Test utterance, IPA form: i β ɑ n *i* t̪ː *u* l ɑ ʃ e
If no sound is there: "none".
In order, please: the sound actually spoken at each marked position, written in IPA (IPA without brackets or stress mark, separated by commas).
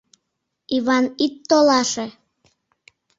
i, o